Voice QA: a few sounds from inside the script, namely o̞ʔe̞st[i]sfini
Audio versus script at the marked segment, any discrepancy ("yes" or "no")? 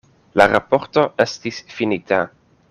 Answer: no